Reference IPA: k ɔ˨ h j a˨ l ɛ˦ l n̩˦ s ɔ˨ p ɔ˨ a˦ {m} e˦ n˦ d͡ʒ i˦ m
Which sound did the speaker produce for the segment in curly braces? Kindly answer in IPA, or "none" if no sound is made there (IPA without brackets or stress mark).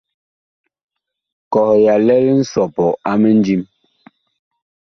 m